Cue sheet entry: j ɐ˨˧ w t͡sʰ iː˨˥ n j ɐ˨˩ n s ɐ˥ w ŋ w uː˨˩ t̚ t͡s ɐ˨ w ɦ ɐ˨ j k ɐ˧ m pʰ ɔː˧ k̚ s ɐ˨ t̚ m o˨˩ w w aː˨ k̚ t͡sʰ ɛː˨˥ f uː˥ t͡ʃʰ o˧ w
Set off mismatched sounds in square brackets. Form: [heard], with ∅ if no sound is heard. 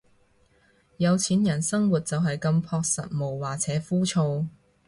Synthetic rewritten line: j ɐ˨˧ w t͡sʰ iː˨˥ n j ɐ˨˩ n s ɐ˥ [∅] ŋ w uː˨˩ t̚ t͡s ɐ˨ w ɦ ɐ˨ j k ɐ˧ m pʰ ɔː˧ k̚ s ɐ˨ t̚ m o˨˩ w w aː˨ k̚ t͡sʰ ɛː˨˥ f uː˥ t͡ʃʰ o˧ w